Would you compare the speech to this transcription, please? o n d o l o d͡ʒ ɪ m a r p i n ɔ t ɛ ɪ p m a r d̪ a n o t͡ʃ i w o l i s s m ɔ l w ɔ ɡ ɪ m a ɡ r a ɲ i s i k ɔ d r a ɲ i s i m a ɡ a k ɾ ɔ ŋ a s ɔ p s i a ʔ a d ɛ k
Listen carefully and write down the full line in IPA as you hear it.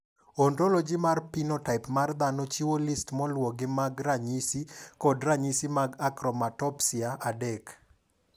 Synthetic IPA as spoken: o n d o l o d͡ʒ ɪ m a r p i n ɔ t a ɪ p m a r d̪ a n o t͡ʃ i w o l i s t m ɔ l w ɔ ɡ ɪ m a ɡ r a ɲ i s i k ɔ d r a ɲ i s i m a ɡ a k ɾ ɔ m a t ɔ p s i a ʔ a d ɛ k